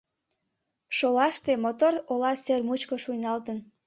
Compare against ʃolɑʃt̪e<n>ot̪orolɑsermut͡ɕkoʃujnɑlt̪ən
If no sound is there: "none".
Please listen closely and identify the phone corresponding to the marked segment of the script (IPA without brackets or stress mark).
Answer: m